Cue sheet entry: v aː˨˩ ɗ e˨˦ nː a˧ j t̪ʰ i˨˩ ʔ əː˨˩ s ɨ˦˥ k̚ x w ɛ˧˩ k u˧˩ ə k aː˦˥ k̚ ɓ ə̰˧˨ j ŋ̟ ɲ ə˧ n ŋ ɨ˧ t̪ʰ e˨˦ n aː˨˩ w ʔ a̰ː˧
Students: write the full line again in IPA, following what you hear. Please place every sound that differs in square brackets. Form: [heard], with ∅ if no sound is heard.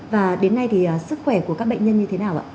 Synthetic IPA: v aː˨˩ ɗ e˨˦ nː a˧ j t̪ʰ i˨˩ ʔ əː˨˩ s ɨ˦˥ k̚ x w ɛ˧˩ k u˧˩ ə k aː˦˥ k̚ ɓ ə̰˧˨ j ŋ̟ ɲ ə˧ n [ɲ] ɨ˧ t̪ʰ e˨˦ n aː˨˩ w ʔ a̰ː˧

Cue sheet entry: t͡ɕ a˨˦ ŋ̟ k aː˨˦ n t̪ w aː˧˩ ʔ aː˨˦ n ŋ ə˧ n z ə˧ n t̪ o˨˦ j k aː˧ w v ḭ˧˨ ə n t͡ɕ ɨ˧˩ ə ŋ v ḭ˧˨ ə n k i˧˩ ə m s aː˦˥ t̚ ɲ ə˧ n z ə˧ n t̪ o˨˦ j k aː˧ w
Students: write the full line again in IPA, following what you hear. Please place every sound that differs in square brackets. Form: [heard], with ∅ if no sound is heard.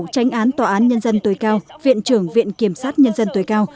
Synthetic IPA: t͡ɕ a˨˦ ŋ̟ [ʔ] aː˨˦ n t̪ w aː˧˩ ʔ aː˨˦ n [ɲ] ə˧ n z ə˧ n t̪ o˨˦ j k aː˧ w v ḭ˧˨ ə n t͡ɕ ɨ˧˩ ə ŋ v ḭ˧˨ ə n k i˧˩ ə m s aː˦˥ t̚ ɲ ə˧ n z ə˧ n t̪ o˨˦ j k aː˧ w

